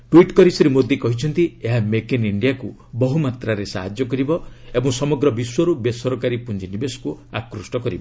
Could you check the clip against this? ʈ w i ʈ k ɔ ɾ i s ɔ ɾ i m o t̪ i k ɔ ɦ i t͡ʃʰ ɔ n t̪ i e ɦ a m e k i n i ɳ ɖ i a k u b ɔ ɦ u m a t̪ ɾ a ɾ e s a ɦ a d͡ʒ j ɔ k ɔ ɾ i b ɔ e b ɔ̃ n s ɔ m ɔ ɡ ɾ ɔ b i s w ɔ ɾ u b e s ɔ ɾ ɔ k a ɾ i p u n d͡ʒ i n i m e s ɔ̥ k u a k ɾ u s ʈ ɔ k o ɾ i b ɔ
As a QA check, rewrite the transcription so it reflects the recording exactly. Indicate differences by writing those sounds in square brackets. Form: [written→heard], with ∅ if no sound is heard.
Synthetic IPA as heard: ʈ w i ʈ k ɔ ɾ i s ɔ ɾ i m o [t̪→d̪] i k ɔ ɦ i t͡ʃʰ ɔ n t̪ i e ɦ a m e k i n i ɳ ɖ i a k u b ɔ ɦ u m a t̪ ɾ a ɾ e s a ɦ a d͡ʒ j ɔ k ɔ ɾ i b ɔ e b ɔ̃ [n→ŋ] s ɔ m ɔ ɡ ɾ ɔ b i s w ɔ ɾ u b e s ɔ ɾ ɔ k a ɾ i p u n d͡ʒ i n i [m→b] e s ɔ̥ k u a k ɾ u s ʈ ɔ k [o→ɔ] ɾ i b ɔ